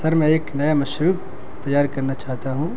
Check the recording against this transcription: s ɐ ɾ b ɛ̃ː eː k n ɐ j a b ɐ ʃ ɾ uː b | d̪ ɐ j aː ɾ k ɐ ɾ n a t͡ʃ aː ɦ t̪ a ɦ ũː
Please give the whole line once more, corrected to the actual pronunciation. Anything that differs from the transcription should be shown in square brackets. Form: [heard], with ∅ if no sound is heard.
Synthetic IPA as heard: s ɐ ɾ [m] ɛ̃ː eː k n ɐ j a [m] ɐ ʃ ɾ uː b | [t̪] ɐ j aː ɾ k ɐ ɾ n a t͡ʃ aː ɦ t̪ a ɦ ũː